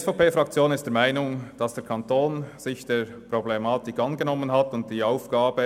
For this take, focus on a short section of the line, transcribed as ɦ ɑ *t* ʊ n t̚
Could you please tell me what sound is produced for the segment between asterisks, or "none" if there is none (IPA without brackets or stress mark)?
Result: t